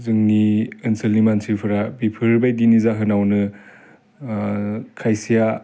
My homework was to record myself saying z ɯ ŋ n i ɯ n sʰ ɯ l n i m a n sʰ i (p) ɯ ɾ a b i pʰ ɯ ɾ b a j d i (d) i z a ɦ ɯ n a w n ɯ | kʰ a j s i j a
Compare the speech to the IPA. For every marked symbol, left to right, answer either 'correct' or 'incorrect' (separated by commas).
incorrect, incorrect